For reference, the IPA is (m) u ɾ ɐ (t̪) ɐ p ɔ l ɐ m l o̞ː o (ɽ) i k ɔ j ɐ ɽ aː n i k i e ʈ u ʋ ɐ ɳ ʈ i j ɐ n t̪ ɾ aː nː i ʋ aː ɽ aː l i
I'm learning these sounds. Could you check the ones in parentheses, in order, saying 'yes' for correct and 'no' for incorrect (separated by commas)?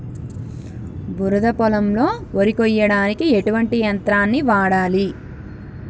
no, no, no